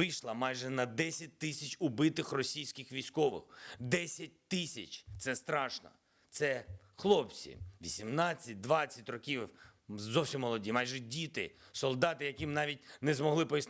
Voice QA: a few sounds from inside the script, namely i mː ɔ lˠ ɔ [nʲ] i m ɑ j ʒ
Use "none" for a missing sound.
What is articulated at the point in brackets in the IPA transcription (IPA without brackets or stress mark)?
dʲ